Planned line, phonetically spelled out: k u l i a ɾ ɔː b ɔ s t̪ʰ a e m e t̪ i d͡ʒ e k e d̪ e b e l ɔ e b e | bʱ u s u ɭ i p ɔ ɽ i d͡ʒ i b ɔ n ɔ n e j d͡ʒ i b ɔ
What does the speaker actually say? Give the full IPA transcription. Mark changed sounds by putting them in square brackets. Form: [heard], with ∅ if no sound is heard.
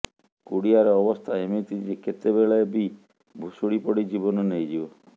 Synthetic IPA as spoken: k u [ɽ] i a ɾ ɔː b ɔ s t̪ʰ a e m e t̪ i d͡ʒ e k e [t̪] e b e [ɭ] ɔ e b [i] | bʱ u s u [ɽ] i p ɔ ɽ i d͡ʒ i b ɔ n ɔ n e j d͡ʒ i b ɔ